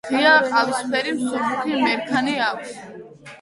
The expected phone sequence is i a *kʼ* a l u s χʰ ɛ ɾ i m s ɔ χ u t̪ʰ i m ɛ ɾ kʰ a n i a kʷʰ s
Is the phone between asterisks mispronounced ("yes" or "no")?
yes